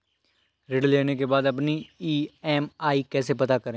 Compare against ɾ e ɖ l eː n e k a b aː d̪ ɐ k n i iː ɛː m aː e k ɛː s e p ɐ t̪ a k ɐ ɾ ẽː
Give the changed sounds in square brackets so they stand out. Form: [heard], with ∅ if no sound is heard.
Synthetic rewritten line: ɾ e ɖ l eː n e k [e] b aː d̪ ɐ [p] n i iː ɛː m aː [i] k ɛː s e p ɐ t̪ a k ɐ ɾ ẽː